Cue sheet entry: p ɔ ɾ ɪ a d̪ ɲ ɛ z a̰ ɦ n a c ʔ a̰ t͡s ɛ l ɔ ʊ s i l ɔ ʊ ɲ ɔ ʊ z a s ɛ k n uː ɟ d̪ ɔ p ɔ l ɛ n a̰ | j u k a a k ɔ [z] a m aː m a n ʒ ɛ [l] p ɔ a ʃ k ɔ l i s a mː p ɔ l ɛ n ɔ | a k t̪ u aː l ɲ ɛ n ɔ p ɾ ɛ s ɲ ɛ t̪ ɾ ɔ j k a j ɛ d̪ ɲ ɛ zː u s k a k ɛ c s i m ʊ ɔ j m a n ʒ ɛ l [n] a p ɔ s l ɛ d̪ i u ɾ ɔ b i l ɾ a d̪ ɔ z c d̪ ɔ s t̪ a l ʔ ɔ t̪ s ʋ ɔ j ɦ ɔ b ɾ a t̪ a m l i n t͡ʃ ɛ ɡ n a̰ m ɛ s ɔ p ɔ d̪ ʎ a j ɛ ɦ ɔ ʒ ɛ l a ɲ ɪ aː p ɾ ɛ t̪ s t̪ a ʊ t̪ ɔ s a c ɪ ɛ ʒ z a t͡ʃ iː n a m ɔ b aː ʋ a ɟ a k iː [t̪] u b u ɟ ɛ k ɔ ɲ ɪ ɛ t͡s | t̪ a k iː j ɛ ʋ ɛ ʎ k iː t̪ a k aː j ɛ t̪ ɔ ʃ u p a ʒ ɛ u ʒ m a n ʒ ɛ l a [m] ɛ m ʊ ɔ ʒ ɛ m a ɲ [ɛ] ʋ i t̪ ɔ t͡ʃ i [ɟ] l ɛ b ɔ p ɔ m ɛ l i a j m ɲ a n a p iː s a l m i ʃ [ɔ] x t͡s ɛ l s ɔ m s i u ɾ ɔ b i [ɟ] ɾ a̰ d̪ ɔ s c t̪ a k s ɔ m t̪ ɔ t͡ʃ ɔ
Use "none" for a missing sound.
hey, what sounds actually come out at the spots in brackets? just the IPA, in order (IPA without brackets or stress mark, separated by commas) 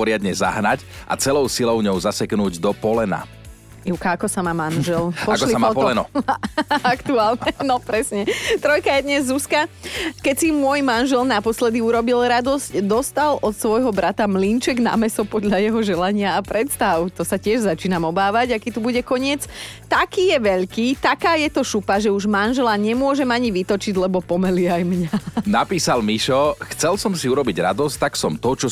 s, l, n, t̪, ɲ, i, ɟ, ɔ, ɟ